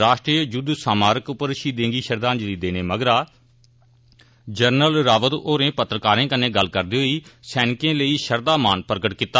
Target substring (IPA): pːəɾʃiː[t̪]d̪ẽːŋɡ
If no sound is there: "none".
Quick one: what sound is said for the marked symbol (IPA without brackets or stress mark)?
none